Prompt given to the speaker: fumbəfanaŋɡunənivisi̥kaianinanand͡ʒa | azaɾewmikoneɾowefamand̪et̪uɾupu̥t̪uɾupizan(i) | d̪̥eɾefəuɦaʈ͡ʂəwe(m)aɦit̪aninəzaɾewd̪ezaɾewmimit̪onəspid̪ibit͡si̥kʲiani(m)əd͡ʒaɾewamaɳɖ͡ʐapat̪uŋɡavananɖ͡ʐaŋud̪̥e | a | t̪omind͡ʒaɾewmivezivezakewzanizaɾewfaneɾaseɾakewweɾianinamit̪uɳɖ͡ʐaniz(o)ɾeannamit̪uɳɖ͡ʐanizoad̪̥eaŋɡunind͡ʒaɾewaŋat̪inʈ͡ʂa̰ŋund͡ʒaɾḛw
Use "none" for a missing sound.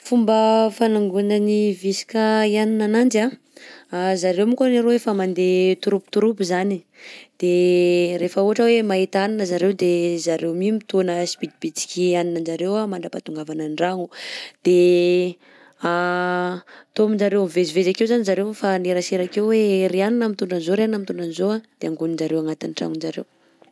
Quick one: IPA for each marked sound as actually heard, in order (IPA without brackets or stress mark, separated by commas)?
i, m, n, o